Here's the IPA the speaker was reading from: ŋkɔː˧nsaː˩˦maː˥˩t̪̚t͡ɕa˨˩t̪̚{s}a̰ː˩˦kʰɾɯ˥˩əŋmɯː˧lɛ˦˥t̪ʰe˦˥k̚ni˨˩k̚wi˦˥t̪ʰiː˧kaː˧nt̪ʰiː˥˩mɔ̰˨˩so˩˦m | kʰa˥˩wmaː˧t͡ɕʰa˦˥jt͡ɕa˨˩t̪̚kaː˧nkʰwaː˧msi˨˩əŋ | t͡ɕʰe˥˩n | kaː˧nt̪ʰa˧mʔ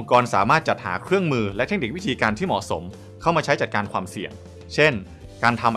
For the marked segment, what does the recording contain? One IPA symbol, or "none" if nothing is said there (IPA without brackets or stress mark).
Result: h